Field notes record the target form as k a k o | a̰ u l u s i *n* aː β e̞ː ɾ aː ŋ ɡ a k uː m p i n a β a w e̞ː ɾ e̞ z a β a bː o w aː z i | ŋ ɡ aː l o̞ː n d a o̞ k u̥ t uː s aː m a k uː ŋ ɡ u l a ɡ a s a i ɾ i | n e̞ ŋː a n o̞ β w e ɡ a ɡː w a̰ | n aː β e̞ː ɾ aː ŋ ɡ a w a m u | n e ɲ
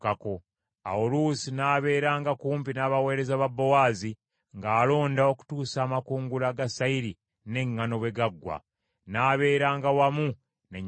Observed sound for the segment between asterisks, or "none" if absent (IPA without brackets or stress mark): n